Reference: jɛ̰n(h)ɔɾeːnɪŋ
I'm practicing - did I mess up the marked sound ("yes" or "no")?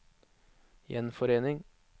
yes